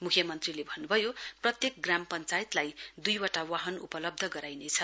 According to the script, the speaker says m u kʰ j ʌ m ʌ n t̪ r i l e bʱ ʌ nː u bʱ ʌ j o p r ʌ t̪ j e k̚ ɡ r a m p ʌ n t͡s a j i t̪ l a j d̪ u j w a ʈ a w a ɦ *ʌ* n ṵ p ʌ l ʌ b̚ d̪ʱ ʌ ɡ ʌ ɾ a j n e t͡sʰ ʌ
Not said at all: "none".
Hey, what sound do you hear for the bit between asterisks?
ʌ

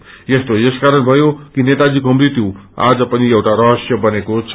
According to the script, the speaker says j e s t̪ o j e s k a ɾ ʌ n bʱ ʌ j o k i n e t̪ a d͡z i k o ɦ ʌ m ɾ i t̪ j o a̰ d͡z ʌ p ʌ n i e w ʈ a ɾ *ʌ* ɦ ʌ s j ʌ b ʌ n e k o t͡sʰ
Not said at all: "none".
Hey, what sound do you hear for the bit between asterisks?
ʌ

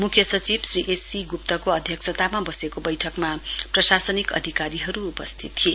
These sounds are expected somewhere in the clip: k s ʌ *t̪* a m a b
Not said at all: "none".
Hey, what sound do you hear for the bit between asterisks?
t̪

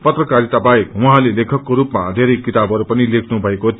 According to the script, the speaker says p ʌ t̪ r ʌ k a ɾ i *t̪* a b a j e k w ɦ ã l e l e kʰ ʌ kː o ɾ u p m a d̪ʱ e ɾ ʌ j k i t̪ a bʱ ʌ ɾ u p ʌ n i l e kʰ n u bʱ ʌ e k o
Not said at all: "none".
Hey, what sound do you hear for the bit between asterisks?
t̪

